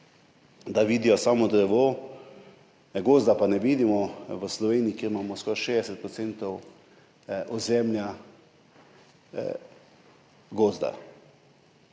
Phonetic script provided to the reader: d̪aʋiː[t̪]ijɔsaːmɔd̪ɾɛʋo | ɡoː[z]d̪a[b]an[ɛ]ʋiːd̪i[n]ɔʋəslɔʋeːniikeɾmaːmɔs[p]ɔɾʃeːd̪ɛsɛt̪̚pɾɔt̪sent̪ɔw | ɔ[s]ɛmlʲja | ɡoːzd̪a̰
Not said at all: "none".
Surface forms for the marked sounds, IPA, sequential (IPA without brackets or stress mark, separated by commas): d̪, z, p, ɛ, m, k, z